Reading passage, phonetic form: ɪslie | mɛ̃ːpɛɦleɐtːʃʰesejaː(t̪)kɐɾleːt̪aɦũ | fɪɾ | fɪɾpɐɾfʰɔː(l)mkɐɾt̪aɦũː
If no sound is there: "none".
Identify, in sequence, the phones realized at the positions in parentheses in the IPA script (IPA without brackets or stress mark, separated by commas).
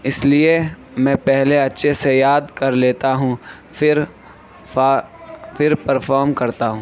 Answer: d̪, ɾ